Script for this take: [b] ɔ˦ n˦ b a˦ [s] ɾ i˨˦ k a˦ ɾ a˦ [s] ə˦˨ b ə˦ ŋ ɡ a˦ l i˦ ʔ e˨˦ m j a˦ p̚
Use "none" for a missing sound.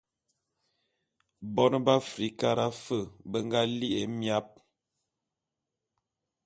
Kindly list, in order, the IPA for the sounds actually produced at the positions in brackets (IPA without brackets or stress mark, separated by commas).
b, f, f